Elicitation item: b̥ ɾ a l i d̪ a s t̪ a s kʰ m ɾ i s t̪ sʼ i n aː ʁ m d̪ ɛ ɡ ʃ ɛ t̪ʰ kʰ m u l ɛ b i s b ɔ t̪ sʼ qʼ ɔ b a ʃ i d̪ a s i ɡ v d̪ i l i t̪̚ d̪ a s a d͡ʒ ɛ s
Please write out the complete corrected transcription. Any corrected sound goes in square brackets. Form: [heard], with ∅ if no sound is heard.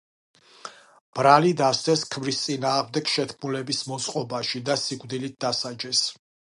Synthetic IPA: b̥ ɾ a l i d̪ a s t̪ [ɛ] s kʰ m ɾ i s t̪ sʼ i n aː ʁ m d̪ ɛ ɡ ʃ ɛ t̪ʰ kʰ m u l ɛ b i s [m] ɔ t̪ sʼ qʼ ɔ b a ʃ i d̪ a s i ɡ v d̪ i l i t̪̚ d̪ a s a d͡ʒ ɛ s

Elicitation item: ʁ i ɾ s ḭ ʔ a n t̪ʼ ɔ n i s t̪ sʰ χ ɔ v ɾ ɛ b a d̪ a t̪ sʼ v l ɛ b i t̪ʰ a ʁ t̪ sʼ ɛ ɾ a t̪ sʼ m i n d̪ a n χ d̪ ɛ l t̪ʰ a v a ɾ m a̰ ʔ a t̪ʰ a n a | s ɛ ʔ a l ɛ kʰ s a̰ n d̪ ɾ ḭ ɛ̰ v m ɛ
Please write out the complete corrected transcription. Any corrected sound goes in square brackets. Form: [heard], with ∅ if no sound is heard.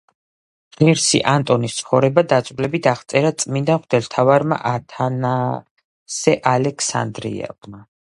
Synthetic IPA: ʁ i ɾ s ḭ ʔ a n t̪ʼ ɔ n i s t̪ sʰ χ ɔ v ɾ ɛ b a d̪ a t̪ sʼ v l ɛ b i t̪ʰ a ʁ t̪ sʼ ɛ ɾ a t̪ sʼ m i n d̪ a n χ d̪ ɛ l t̪ʰ a v a ɾ m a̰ ʔ a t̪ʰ a n a | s ɛ ʔ a l ɛ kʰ s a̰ n d̪ ɾ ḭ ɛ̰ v m [a]

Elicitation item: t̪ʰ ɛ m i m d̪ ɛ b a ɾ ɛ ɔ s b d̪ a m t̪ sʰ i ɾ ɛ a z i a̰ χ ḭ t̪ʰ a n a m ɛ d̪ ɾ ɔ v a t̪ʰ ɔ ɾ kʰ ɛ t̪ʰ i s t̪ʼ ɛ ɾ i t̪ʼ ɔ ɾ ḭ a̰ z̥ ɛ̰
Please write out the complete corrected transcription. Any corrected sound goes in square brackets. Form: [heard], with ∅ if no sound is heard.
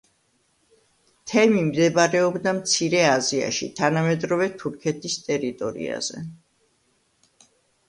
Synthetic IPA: t̪ʰ ɛ m i m d̪ ɛ b a ɾ ɛ ɔ [∅] b d̪ a m t̪ sʰ i ɾ ɛ a z i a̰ [ʃ] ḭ t̪ʰ a n a m ɛ d̪ ɾ ɔ v [ɛ] t̪ʰ [u] ɾ kʰ ɛ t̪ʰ i s t̪ʼ ɛ ɾ i t̪ʼ ɔ ɾ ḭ a̰ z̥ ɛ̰

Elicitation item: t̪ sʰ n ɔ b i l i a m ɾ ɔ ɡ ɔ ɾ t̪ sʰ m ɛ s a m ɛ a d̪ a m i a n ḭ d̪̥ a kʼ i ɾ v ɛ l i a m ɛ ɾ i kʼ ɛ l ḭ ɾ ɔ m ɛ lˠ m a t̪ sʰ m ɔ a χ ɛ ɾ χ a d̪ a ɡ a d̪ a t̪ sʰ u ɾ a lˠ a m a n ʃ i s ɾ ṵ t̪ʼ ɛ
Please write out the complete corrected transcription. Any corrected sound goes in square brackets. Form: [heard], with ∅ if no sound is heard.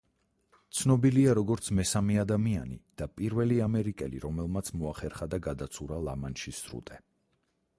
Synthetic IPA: t̪ sʰ n ɔ b i l i a [∅] ɾ ɔ ɡ ɔ ɾ t̪ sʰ m ɛ s a m ɛ a d̪ a m i a n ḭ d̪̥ a [pʼ] i ɾ v ɛ l i a m ɛ ɾ i kʼ ɛ l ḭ ɾ ɔ m ɛ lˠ m a t̪ sʰ m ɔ a χ ɛ ɾ χ a d̪ a ɡ a d̪ a t̪ sʰ u ɾ a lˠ a m a n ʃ i s ɾ ṵ t̪ʼ ɛ

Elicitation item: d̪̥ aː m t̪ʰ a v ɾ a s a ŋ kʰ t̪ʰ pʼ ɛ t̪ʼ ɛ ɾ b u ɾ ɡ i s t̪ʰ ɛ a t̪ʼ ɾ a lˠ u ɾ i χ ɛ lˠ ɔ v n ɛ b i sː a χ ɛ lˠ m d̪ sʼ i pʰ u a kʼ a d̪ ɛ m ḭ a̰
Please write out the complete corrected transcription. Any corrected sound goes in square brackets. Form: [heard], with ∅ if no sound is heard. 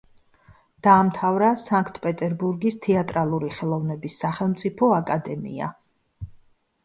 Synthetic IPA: d̪̥ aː m t̪ʰ a v ɾ a s a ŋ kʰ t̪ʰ pʼ ɛ t̪ʼ ɛ ɾ b u ɾ ɡ i s t̪ʰ ɛ a t̪ʼ ɾ a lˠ u ɾ i χ ɛ lˠ ɔ v n ɛ b i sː a χ ɛ lˠ m [t̪] sʼ i pʰ [ɔ] a kʼ a d̪ ɛ m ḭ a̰

